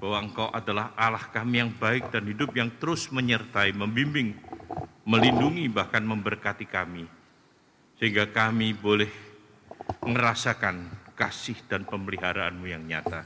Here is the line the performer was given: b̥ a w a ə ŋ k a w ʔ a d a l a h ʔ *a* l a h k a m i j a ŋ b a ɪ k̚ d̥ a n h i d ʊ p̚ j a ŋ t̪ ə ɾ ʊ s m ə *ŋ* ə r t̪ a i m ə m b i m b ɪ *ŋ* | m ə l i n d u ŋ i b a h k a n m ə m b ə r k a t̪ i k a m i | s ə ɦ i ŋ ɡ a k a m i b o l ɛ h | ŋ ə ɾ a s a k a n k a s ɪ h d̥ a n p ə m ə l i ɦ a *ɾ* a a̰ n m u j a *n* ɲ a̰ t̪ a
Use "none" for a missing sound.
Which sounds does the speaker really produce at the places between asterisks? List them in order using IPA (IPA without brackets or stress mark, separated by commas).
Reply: a, ɲ, ŋ, ɾ, ŋ